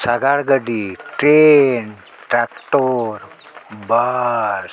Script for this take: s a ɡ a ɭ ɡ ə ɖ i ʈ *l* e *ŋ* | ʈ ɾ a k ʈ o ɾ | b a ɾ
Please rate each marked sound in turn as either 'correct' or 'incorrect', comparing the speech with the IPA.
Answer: incorrect, incorrect

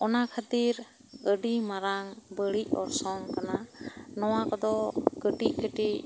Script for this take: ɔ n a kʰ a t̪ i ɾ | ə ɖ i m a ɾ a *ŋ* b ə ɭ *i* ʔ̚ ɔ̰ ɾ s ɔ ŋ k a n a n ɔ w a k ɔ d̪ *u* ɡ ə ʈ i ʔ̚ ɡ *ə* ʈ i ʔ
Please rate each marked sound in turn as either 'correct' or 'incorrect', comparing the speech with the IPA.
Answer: correct, correct, incorrect, correct

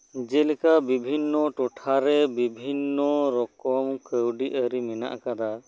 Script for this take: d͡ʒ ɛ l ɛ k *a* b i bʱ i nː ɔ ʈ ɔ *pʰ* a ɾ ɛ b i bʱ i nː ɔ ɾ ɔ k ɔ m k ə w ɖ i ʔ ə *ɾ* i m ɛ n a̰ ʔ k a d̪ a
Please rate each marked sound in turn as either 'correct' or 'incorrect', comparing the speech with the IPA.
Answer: correct, incorrect, correct

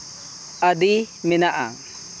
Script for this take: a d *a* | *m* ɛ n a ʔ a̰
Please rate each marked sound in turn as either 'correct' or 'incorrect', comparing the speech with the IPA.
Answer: incorrect, correct

